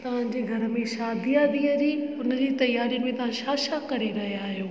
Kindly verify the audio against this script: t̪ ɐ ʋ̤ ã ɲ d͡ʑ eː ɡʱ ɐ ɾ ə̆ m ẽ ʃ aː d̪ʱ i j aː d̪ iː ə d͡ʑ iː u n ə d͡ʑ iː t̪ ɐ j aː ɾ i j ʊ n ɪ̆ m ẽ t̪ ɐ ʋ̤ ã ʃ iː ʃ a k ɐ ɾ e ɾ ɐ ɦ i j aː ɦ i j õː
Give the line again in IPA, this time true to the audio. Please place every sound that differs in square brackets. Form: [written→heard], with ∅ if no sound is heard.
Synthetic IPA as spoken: t̪ ɐ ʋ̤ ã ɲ d͡ʑ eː ɡʱ ɐ ɾ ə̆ m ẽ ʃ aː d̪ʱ i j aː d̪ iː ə d͡ʑ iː [u→ʊ] n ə d͡ʑ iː t̪ ɐ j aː ɾ i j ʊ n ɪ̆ m ẽ t̪ ɐ ʋ̤ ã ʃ [iː→aː] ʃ a k ɐ ɾ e ɾ ɐ ɦ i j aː ɦ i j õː